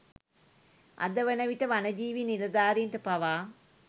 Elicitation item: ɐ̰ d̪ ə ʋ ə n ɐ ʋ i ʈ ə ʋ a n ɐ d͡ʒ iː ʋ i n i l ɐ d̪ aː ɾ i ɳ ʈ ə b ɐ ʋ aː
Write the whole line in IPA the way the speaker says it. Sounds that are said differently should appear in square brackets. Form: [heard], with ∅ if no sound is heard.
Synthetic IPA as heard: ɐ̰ d̪ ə ʋ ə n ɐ ʋ i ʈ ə ʋ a n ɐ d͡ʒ iː ʋ i n i l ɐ d̪ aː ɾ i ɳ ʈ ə [p] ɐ ʋ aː